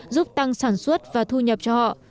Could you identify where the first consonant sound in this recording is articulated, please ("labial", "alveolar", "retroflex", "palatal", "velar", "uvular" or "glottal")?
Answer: alveolar